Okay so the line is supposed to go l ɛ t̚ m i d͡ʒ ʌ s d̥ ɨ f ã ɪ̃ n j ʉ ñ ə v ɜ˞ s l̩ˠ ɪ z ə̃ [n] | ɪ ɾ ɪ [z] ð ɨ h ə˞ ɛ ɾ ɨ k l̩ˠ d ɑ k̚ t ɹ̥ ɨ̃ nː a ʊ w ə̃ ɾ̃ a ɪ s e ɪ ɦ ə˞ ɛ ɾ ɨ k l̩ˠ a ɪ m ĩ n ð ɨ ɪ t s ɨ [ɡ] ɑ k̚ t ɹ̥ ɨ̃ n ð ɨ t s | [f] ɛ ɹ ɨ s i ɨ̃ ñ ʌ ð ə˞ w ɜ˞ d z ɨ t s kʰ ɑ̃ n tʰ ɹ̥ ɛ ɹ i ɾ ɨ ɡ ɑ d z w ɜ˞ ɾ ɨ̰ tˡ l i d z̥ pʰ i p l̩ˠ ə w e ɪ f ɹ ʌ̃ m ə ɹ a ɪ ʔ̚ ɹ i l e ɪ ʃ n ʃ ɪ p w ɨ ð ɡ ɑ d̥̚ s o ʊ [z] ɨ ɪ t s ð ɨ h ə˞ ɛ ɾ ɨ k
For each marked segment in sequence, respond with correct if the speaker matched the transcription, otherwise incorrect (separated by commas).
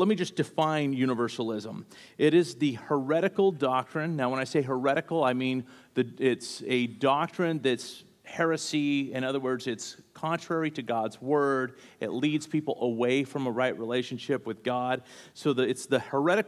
incorrect, correct, incorrect, incorrect, incorrect